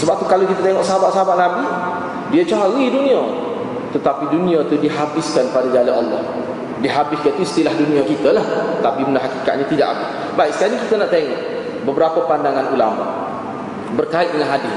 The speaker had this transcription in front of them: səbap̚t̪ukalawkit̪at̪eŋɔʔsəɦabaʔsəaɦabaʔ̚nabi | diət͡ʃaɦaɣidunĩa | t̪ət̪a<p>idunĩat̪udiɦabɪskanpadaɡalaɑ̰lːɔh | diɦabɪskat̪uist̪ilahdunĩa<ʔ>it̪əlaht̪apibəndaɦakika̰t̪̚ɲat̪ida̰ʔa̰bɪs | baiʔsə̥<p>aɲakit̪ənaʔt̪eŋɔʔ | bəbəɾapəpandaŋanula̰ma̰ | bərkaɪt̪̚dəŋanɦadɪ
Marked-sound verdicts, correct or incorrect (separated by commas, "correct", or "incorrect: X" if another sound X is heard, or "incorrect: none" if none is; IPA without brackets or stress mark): correct, incorrect: k, incorrect: k